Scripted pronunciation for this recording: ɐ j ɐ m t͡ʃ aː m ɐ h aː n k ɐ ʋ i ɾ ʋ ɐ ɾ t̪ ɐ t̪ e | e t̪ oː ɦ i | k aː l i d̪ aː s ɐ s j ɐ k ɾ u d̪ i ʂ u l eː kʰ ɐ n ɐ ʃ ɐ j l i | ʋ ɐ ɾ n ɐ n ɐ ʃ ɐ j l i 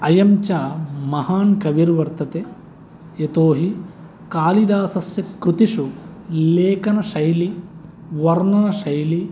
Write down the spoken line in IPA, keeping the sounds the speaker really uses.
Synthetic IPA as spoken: ɐ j ɐ m t͡ʃ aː m ɐ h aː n k ɐ ʋ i ɾ ʋ ɐ ɾ t̪ ɐ t̪ e | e t̪ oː ɦ i | k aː l i d̪ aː s ɐ s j ɐ k ɾ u t̪ i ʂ u l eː k ɐ n ɐ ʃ ɐ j l i | ʋ ɐ ɾ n ɐ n ɐ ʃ ɐ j l i